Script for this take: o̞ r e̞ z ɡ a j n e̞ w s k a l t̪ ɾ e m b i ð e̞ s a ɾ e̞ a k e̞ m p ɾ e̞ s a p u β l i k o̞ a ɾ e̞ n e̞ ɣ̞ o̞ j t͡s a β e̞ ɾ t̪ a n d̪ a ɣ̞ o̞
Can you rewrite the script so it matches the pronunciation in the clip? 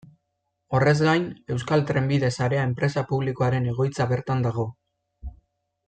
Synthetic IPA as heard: o̞ r e̞ z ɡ a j n e̞ w s k a l t̪ ɾ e m b i ð e̞ s a ɾ e̞ a e̞ m p ɾ e̞ s a p u β l i k o̞ a ɾ e̞ n e̞ ɣ̞ o̞ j t͡s a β e̞ ɾ t̪ a n d̪ a ɣ̞ o̞